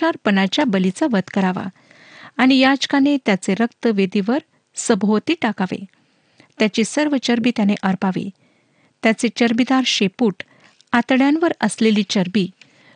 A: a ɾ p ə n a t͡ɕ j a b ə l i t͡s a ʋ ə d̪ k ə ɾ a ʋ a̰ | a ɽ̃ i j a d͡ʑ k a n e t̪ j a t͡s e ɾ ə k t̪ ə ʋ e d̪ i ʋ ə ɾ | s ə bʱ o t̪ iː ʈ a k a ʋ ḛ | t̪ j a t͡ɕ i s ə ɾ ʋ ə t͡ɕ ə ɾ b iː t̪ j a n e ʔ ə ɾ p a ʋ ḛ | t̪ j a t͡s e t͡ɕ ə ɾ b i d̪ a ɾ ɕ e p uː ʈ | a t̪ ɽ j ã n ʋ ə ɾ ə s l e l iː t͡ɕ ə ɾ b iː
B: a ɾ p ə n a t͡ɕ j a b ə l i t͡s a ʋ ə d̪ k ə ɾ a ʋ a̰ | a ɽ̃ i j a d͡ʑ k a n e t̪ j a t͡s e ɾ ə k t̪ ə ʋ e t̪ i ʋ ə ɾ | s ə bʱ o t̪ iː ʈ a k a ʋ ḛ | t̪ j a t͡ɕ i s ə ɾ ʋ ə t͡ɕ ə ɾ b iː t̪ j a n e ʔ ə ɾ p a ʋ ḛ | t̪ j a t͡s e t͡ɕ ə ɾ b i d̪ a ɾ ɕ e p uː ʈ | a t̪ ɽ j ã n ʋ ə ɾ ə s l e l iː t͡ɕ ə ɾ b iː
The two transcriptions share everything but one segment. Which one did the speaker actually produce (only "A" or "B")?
A